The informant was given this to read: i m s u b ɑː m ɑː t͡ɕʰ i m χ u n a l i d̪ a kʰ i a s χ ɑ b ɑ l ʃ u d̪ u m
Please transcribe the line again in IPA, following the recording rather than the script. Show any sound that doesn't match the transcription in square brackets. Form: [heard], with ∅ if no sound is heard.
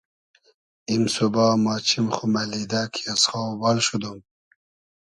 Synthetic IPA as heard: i m s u b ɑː m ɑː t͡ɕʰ i m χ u [m] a l i d̪ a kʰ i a s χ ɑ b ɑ l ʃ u d̪ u m